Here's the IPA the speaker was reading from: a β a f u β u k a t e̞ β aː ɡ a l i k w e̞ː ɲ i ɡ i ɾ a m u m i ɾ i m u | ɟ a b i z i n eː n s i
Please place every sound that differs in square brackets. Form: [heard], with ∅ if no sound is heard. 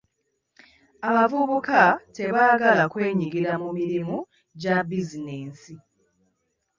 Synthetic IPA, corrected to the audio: a β a [v] u β u k a t e̞ β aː ɡ a l [a] k w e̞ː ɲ i ɡ i ɾ a m u m i ɾ i m u | ɟ a b i z i n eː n s i